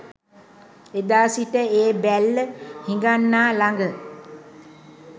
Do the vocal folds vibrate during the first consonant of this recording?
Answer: yes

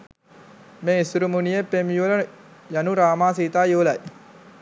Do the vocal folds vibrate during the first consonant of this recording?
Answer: yes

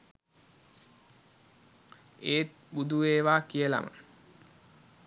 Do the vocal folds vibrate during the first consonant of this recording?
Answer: no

